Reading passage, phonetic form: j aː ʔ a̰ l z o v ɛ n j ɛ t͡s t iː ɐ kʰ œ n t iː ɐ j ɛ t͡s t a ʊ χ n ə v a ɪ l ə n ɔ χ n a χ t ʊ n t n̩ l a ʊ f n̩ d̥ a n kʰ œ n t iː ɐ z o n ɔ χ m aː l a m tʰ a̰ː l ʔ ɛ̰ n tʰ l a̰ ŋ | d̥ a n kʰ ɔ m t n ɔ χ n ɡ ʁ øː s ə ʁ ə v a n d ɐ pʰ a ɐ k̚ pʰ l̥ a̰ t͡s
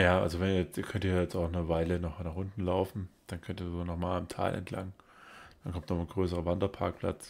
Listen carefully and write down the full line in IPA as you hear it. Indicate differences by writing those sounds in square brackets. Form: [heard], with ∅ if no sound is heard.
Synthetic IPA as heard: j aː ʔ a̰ l z o v ɛ n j ɛ t͡s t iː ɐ kʰ œ n t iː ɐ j ɛ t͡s t a ʊ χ n ə v a ɪ l ə n ɔ χ n a χ [ʔ] ʊ n t n̩ l a ʊ f n̩ d̥ a n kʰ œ n t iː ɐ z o n ɔ χ m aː l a m tʰ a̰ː l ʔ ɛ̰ n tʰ l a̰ ŋ | d̥ a n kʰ ɔ m t n ɔ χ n ɡ ʁ øː s ə ʁ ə v a n d ɐ pʰ a ɐ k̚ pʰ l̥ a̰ t͡s